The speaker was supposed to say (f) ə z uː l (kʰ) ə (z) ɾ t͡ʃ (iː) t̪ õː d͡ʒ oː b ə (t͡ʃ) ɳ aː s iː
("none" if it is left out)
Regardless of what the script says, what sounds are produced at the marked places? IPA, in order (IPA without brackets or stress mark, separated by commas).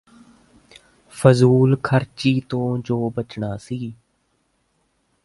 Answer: f, kʰ, none, iː, t͡ʃ